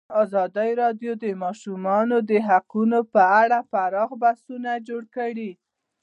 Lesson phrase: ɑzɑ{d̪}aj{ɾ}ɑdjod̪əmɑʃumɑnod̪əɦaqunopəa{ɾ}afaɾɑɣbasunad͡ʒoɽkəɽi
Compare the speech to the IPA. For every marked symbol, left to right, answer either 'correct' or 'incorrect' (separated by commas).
correct, correct, incorrect